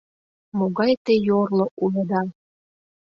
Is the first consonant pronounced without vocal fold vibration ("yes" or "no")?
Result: no